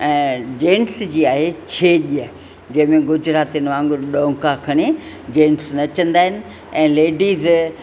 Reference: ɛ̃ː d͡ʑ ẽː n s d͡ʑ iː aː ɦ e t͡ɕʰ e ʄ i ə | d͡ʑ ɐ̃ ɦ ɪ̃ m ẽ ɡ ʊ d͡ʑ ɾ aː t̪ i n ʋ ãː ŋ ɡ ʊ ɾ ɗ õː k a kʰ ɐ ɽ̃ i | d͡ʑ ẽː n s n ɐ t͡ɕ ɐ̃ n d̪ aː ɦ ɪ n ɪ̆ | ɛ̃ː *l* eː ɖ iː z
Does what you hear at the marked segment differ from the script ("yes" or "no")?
no